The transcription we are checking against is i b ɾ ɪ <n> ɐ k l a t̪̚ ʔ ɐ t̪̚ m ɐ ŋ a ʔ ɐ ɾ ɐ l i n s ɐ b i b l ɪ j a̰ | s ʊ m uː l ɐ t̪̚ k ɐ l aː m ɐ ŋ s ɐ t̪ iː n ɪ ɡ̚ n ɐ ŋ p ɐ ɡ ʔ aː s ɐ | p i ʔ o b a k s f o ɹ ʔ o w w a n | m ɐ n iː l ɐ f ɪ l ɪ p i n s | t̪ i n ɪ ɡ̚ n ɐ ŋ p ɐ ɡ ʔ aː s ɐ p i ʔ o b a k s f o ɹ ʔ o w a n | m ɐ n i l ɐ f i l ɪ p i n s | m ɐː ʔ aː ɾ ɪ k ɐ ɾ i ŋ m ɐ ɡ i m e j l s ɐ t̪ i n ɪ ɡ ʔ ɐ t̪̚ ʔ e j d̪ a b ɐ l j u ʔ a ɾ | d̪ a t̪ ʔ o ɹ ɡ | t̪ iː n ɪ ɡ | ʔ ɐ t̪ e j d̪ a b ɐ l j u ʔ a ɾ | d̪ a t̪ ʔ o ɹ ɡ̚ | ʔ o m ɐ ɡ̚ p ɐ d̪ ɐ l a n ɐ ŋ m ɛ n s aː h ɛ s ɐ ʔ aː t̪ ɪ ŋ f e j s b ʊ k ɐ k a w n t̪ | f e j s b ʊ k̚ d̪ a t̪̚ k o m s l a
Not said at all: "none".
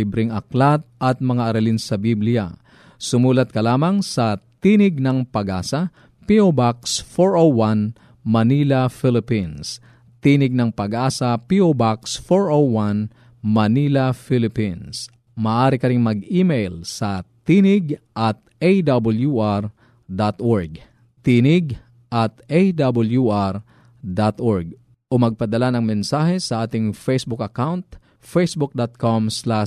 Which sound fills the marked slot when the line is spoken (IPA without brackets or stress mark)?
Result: ŋ